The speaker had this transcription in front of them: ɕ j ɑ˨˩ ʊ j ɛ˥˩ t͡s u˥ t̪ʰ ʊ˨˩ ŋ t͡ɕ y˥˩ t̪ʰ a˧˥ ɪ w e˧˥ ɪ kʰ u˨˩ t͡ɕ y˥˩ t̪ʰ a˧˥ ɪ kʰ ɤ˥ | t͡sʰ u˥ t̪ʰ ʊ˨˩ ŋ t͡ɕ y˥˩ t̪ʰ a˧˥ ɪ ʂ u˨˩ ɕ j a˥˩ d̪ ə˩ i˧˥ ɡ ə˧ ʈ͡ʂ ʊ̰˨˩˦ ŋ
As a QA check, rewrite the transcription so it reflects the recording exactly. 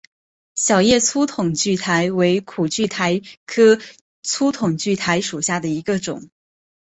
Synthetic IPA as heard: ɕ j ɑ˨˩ ʊ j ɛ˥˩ t͡sʰ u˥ t̪ʰ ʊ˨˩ ŋ t͡ɕ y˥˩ t̪ʰ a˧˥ ɪ w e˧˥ ɪ kʰ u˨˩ t͡ɕ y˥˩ t̪ʰ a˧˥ ɪ kʰ ɤ˥ | t͡sʰ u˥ t̪ʰ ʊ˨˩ ŋ t͡ɕ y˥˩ t̪ʰ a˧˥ ɪ ʂ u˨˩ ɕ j a˥˩ d̪ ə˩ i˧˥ ɡ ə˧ ʈ͡ʂ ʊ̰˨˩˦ ŋ

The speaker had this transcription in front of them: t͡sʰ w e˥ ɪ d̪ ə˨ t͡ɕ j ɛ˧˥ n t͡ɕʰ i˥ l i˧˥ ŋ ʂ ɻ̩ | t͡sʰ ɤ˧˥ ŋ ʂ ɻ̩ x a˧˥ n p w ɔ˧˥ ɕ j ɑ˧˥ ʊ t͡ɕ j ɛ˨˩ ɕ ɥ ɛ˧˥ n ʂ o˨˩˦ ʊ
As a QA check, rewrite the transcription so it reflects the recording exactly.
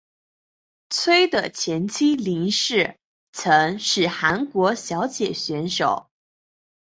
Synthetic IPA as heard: t͡sʰ w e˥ ɪ d̪ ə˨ t͡ɕʰ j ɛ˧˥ n t͡ɕʰ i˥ l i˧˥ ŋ ʂ ɻ̩ | t͡sʰ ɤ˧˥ ŋ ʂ ɻ̩ x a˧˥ n k w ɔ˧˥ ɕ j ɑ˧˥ ʊ t͡ɕ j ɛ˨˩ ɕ ɥ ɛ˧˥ n ʂ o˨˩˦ ʊ

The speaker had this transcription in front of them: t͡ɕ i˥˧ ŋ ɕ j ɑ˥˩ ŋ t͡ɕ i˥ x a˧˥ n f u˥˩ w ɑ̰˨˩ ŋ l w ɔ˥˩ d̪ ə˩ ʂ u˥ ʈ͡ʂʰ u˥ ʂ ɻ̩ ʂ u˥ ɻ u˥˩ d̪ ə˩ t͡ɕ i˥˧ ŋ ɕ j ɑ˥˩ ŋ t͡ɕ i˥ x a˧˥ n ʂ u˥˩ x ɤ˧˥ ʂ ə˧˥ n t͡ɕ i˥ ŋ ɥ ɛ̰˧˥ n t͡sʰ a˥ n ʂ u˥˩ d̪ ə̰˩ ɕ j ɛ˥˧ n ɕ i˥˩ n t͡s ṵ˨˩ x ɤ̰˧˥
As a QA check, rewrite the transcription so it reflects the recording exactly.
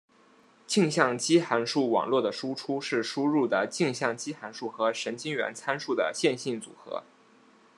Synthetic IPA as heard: t͡ɕ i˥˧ ŋ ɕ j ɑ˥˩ ŋ t͡ɕ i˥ x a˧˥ n ʂ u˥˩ w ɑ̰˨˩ ŋ l w ɔ˥˩ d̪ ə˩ ʂ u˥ ʈ͡ʂʰ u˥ ʂ ɻ̩ ʂ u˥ ɻ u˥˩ d̪ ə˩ t͡ɕ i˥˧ ŋ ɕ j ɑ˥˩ ŋ t͡ɕ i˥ x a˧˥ n ʂ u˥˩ x ɤ˧˥ ʂ ə˧˥ n t͡ɕ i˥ ŋ ɥ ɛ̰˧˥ n t͡sʰ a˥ n ʂ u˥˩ d̪ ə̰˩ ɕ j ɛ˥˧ n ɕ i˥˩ n t͡s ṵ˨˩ x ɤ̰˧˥

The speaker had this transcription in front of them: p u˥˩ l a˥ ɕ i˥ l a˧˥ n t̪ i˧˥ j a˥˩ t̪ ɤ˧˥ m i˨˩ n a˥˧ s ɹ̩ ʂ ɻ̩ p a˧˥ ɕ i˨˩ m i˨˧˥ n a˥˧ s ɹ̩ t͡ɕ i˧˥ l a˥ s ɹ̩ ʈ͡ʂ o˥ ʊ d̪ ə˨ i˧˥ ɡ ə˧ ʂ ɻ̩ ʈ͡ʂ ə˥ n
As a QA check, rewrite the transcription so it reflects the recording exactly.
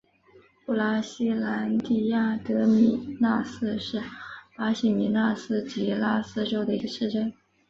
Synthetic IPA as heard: p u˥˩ l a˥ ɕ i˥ l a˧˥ n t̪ i˥˩ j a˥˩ t̪ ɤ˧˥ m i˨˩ n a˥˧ s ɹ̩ ʂ ɻ̩ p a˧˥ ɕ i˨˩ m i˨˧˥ n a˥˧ s ɹ̩ t͡ɕ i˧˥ l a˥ s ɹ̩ ʈ͡ʂ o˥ ʊ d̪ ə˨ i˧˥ ɡ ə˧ ʂ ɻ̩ ʈ͡ʂ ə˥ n

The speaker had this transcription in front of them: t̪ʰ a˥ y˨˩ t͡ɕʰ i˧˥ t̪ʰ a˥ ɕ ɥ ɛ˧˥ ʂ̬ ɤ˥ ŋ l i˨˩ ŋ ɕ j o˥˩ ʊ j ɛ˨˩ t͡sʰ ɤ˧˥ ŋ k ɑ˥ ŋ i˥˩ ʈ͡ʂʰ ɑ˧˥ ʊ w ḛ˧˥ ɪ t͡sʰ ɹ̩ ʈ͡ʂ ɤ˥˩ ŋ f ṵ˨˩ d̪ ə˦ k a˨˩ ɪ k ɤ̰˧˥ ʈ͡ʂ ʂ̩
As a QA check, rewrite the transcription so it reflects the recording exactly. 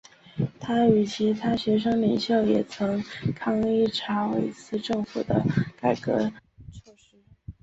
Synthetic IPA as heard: t̪ʰ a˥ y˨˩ t͡ɕʰ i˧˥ t̪ʰ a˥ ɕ ɥ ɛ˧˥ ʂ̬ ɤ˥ ŋ l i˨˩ ŋ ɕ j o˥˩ ʊ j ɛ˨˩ t͡sʰ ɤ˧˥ ŋ kʰ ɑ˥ ŋ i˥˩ ʈ͡ʂʰ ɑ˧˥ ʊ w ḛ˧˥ ɪ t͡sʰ ɹ̩ ʈ͡ʂ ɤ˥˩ ŋ f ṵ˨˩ d̪ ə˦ k a˨˩ ɪ k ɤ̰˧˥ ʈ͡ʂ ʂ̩

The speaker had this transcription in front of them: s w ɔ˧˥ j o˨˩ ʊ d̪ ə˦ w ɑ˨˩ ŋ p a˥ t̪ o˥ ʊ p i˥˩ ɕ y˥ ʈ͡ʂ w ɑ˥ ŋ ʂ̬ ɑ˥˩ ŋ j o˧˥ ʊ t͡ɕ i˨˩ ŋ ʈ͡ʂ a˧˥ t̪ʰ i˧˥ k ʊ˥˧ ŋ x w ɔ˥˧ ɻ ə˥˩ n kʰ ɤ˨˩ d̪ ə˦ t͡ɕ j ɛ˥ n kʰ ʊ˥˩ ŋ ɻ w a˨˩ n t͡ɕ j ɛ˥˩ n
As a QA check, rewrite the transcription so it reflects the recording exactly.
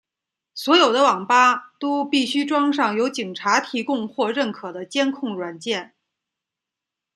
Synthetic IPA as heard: s w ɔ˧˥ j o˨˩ ʊ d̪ ə˦ w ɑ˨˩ ŋ p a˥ t̪ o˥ ʊ p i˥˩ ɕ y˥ ʈ͡ʂ w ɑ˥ ŋ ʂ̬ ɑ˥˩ ŋ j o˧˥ ʊ t͡ɕ i˨˩ ŋ ʈ͡ʂʰ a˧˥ t̪ʰ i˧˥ k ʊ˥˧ ŋ x w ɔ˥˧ ɻ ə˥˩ n kʰ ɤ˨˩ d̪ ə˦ t͡ɕ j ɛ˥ n kʰ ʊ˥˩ ŋ ɻ w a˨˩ n t͡ɕ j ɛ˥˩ n

